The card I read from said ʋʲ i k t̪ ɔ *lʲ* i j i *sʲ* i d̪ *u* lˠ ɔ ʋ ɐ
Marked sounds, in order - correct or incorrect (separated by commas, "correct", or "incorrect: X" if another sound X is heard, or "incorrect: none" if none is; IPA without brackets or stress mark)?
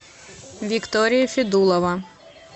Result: incorrect: ɾʲ, incorrect: fʲ, correct